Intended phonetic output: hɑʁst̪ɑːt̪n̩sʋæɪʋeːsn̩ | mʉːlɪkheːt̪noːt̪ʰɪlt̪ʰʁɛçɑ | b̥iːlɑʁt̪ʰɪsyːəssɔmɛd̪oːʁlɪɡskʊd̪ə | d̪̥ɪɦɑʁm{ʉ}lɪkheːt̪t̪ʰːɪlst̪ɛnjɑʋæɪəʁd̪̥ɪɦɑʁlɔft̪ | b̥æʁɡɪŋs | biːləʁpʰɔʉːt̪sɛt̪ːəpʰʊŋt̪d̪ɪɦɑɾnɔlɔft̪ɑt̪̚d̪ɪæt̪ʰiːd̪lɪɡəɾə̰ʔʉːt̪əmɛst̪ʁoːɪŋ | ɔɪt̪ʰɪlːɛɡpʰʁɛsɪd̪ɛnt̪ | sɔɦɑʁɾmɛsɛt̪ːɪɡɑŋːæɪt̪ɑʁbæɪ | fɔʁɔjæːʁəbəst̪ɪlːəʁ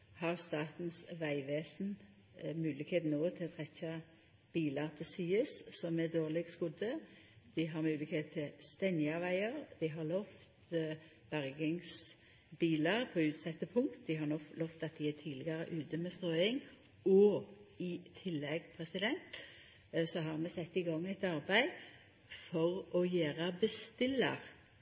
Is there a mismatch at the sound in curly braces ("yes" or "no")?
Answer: yes